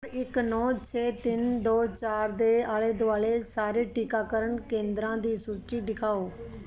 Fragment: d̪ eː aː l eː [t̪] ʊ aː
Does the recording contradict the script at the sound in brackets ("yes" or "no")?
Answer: yes